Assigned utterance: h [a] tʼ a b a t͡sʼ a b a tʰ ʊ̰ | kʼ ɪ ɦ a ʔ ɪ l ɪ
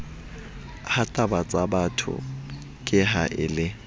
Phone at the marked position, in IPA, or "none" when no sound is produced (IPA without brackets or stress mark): a